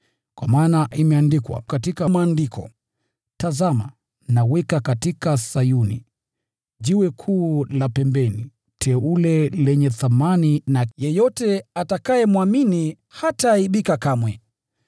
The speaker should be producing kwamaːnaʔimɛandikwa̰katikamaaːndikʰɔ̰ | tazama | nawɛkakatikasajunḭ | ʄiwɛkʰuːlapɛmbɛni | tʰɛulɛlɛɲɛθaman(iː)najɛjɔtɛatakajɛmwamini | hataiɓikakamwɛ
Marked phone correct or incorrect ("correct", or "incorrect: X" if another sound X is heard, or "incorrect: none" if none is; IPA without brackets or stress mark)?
incorrect: i